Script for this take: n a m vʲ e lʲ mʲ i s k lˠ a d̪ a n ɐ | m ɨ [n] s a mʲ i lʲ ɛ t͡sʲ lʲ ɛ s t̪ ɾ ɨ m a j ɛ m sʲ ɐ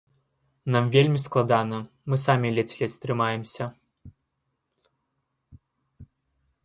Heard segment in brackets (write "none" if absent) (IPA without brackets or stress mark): none